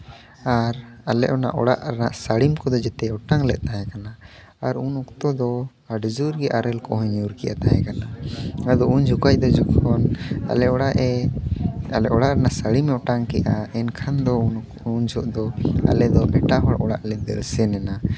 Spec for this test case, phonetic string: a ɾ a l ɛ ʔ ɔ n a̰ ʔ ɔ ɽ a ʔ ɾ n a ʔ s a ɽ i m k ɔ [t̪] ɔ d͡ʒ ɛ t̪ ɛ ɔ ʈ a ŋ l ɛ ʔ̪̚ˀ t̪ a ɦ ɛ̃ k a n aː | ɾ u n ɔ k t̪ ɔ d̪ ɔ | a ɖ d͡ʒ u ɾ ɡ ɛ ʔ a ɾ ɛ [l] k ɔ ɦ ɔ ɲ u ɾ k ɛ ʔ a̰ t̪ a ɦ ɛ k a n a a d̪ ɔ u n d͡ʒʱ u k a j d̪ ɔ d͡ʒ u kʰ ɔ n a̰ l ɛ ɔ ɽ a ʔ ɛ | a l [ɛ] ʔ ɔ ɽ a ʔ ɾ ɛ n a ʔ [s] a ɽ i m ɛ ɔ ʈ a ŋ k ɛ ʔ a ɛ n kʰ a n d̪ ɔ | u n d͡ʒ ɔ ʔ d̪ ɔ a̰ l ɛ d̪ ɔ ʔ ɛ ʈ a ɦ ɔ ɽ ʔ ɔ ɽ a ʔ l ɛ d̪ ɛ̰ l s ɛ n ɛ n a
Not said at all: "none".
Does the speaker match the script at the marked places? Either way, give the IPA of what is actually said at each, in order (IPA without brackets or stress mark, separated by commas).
d̪, l, ɛ, s